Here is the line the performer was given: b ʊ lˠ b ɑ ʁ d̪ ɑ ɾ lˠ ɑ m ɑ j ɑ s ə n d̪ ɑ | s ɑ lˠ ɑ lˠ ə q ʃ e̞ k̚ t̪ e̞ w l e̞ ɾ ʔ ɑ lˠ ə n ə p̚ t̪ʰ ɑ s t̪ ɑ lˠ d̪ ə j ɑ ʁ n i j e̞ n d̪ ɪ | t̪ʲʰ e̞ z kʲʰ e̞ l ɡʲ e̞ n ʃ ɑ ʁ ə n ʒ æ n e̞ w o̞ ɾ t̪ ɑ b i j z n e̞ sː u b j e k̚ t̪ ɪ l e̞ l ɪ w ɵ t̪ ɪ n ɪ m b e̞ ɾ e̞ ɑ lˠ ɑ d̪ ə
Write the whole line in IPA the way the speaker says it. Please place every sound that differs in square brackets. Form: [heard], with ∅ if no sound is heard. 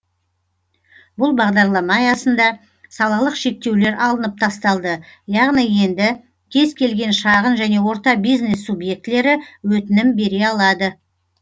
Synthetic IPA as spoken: b ʊ lˠ b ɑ ʁ d̪ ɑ ɾ lˠ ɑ m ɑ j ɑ s ə n d̪ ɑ | s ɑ lˠ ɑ lˠ ə q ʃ e̞ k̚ t̪ e̞ w l e̞ ɾ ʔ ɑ lˠ ə n ə p̚ t̪ʰ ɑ s t̪ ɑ lˠ d̪ ə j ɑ ʁ n i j e̞ n d̪ ɪ | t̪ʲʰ e̞ z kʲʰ e̞ l ɡʲ e̞ n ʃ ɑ ʁ ə n ʒ æ n e̞ w o̞ ɾ t̪ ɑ b i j z n e̞ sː u b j e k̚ t̪ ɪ l e̞ [ɾ] ɪ w ɵ t̪ ɪ n ɪ m b e̞ ɾ e̞ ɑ lˠ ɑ d̪ ə